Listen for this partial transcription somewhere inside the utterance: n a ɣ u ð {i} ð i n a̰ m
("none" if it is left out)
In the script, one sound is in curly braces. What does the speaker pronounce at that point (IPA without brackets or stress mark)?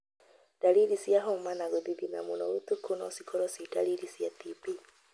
i